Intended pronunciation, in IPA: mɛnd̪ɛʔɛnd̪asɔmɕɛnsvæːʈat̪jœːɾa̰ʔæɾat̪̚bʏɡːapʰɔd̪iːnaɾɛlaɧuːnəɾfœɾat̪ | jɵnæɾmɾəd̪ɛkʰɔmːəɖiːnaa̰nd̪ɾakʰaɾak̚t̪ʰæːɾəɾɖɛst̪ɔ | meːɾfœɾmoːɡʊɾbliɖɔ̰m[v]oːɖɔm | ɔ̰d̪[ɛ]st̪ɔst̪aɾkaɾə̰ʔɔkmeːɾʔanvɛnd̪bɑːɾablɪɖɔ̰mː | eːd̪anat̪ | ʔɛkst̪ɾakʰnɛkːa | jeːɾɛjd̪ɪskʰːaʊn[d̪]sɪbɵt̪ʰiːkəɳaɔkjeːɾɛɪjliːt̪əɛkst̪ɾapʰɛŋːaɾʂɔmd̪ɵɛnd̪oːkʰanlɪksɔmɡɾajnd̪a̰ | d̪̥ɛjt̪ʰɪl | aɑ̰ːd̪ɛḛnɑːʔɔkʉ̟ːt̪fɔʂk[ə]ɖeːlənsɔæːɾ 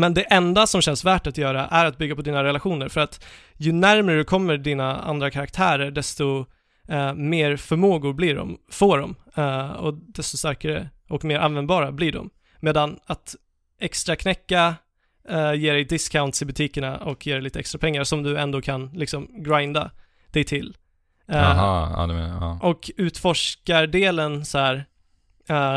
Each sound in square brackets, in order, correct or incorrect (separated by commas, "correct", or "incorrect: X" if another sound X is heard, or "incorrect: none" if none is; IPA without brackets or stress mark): incorrect: f, correct, incorrect: t̪, incorrect: a